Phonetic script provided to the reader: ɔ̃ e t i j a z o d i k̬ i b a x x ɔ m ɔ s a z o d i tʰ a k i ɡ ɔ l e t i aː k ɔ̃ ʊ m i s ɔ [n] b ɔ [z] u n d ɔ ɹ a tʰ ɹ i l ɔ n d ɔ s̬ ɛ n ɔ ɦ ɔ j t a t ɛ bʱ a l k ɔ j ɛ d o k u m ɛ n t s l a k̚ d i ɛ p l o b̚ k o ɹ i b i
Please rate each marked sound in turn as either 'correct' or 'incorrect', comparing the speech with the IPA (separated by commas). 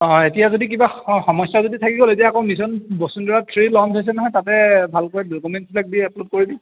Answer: correct, incorrect